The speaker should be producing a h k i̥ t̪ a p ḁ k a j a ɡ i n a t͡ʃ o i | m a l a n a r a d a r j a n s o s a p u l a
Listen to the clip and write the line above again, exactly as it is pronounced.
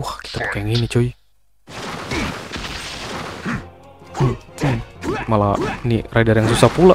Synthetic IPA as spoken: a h k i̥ t̪ a p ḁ k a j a ŋ i n i t͡ʃ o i | m a l a n i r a d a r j a ŋ s u s a p u l a